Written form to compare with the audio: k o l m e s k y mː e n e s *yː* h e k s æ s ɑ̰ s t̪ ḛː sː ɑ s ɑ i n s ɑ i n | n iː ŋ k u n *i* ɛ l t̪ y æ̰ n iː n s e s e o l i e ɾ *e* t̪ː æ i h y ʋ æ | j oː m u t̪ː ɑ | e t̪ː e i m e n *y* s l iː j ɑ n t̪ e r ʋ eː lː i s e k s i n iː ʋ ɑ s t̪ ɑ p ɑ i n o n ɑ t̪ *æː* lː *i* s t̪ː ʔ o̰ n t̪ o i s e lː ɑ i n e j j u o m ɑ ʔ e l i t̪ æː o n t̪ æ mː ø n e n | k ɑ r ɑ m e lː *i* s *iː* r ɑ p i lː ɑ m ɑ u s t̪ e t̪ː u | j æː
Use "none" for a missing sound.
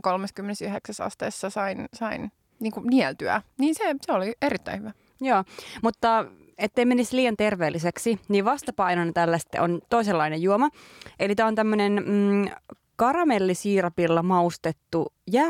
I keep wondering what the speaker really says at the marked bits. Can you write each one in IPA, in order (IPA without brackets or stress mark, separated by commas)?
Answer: y, i, i, i, æ, æ, i, iː